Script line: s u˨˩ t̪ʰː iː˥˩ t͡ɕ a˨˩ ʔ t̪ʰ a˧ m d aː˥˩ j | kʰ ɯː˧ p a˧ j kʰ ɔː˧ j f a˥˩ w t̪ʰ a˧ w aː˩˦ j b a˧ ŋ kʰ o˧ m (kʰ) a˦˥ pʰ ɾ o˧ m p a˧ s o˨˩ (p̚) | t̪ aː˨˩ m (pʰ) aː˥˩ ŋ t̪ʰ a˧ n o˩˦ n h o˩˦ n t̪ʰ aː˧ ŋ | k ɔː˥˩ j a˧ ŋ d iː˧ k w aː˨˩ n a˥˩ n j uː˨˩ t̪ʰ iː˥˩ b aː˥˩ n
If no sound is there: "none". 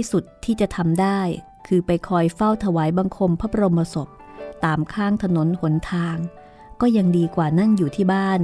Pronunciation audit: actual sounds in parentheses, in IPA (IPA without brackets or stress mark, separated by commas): pʰ, p̚, kʰ